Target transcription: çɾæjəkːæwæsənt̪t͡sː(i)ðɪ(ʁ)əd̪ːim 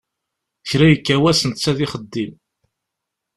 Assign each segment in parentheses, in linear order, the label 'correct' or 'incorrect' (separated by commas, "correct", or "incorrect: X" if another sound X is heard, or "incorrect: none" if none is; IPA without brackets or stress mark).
incorrect: æ, incorrect: χ